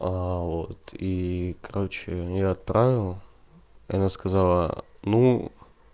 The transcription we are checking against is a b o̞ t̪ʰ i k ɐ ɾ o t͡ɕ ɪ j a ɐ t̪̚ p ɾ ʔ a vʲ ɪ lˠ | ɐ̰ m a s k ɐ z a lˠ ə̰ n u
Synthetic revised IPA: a v o̞ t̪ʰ i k ɐ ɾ o t͡ɕ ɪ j a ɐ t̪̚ p ɾ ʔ a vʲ ɪ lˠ | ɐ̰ n a s k ɐ z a lˠ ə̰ n u